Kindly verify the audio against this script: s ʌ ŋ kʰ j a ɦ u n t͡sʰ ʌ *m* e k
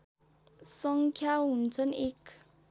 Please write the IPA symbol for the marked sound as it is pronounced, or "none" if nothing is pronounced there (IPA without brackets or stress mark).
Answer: n